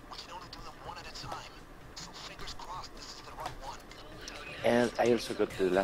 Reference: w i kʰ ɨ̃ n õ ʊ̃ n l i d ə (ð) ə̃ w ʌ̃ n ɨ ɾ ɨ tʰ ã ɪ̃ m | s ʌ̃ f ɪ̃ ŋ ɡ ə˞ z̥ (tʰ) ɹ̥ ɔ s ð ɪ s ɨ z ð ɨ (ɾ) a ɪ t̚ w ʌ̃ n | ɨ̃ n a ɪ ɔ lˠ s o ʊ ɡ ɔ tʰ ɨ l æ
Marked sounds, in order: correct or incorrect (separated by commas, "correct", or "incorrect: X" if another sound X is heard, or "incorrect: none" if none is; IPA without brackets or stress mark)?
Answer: correct, incorrect: kʰ, incorrect: ɹ